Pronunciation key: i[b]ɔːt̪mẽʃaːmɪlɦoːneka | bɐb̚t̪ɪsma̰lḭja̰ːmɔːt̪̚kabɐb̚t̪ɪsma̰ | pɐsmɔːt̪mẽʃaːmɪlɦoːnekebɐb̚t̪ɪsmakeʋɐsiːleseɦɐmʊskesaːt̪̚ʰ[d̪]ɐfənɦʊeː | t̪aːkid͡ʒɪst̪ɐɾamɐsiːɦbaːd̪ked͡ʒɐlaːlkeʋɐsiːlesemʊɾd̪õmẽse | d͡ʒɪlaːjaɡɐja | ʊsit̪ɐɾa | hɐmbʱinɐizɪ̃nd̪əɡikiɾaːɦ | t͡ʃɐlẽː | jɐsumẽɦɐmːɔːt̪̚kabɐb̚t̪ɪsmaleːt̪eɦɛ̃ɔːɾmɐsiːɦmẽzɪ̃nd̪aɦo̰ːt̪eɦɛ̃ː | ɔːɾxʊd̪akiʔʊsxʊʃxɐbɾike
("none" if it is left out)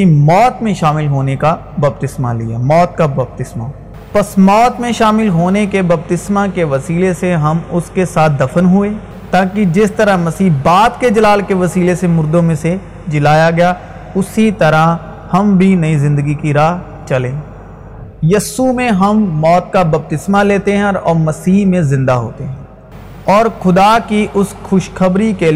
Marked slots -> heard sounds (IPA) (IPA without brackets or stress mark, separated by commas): m, d̪